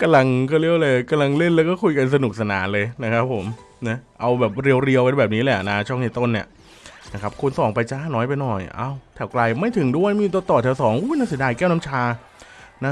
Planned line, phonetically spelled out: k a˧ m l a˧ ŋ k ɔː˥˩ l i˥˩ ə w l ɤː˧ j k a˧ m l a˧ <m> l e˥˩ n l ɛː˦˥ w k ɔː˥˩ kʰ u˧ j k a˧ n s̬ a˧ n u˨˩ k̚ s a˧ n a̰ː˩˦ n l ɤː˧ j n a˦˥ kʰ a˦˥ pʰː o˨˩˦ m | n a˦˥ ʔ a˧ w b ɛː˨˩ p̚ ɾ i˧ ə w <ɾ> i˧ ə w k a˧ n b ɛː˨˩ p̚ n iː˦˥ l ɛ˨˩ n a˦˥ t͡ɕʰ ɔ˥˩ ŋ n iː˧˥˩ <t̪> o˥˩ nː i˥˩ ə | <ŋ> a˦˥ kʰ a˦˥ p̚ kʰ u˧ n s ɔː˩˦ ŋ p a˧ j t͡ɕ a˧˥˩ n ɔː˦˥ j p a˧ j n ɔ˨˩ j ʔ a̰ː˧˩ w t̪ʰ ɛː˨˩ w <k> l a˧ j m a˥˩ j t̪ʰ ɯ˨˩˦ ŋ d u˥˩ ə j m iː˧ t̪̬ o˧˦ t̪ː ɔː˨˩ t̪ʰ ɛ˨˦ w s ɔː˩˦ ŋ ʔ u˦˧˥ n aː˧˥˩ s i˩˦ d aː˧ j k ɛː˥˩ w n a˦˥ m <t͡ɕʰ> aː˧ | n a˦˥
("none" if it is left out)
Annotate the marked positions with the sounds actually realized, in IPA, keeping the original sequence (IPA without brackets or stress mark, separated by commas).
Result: ŋ, ɾ, t̪, n, k, t͡ɕʰ